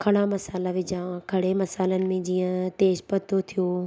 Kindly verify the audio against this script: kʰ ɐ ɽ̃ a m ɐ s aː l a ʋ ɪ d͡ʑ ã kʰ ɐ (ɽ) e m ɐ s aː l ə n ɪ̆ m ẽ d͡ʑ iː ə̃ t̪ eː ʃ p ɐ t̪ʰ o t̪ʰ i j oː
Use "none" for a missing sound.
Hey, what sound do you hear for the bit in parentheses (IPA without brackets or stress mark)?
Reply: ɽ